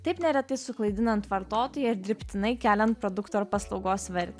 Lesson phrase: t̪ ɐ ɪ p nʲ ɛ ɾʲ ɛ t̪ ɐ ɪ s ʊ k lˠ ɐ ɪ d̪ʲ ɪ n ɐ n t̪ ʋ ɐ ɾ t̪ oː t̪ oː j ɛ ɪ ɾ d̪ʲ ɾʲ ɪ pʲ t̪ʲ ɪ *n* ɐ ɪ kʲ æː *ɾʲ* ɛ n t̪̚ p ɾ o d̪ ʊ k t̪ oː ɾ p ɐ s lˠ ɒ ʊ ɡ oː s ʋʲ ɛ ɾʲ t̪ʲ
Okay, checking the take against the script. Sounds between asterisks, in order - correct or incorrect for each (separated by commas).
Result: correct, incorrect